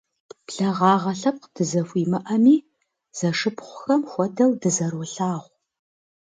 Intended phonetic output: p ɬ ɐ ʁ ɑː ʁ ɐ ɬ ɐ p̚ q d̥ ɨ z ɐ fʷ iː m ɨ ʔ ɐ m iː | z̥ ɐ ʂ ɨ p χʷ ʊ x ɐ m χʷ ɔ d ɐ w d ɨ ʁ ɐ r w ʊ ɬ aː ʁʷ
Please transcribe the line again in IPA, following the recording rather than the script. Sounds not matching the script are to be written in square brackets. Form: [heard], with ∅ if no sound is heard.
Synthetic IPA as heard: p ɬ ɐ ʁ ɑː ʁ ɐ ɬ ɐ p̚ q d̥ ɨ z ɐ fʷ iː m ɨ ʔ ɐ m iː | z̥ ɐ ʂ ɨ p χʷ ʊ x ɐ m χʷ ɔ d ɐ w d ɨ [z] ɐ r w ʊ ɬ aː ʁʷ